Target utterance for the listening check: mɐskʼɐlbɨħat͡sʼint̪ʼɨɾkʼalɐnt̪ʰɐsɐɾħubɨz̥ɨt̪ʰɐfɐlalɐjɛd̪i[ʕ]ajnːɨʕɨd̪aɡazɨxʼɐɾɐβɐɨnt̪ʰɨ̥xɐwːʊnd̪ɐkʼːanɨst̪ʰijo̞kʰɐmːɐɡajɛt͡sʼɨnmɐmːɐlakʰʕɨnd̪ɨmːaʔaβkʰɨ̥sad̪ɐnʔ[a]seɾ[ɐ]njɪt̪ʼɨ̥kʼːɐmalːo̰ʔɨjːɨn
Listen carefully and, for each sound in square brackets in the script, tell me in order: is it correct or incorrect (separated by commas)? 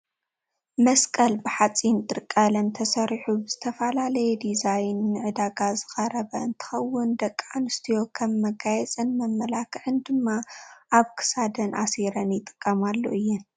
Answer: incorrect, correct, correct